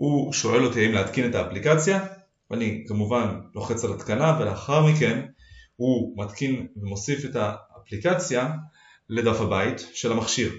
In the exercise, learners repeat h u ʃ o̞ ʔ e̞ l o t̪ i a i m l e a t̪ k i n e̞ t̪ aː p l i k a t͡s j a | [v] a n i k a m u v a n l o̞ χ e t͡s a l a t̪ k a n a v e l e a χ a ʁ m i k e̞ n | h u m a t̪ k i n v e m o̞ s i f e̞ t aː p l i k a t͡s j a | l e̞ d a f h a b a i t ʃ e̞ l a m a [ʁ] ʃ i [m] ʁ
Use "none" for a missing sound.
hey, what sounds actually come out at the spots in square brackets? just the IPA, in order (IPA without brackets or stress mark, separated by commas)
v, χ, none